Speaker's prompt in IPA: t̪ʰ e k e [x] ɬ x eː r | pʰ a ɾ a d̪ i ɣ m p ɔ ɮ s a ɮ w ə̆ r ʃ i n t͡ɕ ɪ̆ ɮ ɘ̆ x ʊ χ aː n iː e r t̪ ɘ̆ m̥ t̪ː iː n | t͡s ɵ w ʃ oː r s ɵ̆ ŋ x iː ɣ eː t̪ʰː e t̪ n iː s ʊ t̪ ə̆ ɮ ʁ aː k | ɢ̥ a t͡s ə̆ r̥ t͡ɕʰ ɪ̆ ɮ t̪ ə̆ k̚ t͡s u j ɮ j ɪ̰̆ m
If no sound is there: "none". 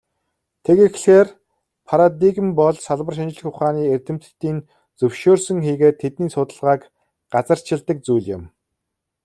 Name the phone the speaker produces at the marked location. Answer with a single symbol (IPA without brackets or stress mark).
x